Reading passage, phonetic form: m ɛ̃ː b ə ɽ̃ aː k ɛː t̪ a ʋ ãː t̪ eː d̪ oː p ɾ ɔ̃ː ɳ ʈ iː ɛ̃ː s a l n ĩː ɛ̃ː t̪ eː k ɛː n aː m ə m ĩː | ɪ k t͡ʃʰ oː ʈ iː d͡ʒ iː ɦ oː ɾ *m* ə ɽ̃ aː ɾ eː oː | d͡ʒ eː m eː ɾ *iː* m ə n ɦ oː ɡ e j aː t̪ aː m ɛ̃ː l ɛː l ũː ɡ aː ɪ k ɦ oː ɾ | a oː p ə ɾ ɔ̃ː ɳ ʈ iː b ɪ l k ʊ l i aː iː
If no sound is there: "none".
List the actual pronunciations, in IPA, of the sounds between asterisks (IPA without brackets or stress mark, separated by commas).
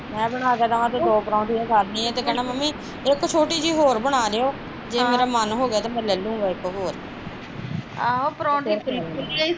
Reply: b, aː